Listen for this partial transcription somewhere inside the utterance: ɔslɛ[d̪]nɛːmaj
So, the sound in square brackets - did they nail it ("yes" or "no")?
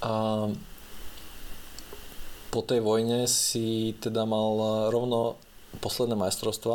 yes